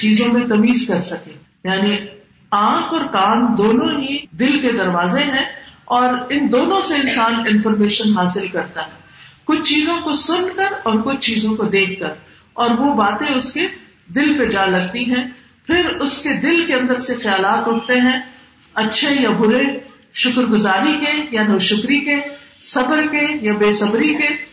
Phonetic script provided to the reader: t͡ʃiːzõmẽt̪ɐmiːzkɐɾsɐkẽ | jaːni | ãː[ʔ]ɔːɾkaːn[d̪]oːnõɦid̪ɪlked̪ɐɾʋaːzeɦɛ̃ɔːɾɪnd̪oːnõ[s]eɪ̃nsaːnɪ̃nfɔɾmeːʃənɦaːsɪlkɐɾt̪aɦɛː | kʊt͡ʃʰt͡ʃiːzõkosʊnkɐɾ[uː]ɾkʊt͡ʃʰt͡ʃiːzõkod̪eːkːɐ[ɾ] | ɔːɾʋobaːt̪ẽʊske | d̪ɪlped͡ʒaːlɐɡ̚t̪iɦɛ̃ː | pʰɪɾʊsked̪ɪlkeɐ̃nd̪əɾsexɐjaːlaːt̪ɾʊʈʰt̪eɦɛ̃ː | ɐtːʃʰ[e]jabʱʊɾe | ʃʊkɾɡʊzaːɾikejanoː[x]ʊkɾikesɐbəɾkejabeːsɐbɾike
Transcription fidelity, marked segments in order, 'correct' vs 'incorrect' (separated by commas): incorrect, correct, correct, incorrect, correct, correct, incorrect